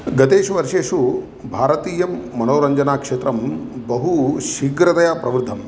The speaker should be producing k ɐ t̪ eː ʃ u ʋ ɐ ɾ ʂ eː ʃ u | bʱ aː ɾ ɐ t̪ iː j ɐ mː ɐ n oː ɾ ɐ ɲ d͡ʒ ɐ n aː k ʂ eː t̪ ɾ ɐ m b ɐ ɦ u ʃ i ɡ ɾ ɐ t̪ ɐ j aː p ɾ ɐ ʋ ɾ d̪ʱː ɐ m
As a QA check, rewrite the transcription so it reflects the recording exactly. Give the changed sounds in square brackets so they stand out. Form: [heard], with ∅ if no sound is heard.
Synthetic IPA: [ɡ] ɐ t̪ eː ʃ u ʋ ɐ ɾ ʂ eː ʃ u | bʱ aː ɾ ɐ t̪ iː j ɐ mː ɐ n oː ɾ ɐ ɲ d͡ʒ ɐ n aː k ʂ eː t̪ ɾ ɐ m b ɐ ɦ u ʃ i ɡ ɾ ɐ t̪ ɐ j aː p ɾ ɐ ʋ ɾ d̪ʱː ɐ m